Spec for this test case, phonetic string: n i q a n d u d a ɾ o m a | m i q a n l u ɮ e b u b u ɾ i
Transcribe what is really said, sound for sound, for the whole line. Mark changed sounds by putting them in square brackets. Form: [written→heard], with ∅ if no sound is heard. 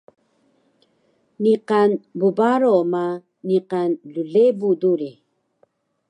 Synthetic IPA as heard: n i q a n [d→b] u [d→b] a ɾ o m a | [m→n] i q a n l u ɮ e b u [b→d] u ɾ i